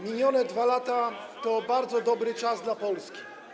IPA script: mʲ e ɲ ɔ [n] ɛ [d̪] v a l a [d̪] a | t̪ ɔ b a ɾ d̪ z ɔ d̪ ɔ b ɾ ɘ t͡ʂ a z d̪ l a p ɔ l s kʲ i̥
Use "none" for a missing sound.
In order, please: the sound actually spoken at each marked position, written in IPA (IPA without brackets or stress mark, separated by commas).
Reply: n, d̪, t̪